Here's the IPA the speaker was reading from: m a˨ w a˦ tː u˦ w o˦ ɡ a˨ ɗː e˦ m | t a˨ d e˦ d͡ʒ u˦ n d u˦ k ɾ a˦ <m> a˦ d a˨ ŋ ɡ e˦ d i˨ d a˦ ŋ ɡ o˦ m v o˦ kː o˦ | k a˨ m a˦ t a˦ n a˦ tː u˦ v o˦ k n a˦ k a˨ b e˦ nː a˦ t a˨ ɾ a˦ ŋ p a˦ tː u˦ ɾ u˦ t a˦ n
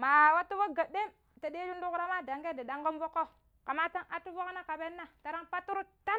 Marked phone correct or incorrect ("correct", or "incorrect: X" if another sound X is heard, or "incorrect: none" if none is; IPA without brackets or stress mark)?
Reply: correct